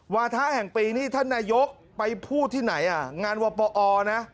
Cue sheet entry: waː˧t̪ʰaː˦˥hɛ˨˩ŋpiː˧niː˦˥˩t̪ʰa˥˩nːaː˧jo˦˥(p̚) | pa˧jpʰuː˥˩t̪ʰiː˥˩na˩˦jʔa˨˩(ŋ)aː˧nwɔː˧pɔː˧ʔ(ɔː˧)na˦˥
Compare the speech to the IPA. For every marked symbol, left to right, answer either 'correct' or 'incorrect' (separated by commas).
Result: incorrect, correct, correct